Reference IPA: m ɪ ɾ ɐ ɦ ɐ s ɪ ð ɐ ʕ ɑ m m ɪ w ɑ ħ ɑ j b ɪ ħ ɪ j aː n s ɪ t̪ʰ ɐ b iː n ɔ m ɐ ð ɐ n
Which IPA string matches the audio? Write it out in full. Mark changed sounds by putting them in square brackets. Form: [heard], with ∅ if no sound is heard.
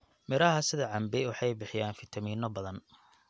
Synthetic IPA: m ɪ ɾ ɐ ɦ ɐ s ɪ ð ɐ ʕ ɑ m [b] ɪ w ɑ ħ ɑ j b ɪ ħ ɪ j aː n [f] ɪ t̪ʰ ɐ [m] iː n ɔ [b] ɐ ð ɐ n